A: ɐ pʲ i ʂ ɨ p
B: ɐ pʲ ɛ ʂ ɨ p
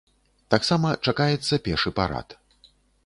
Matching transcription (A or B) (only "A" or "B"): B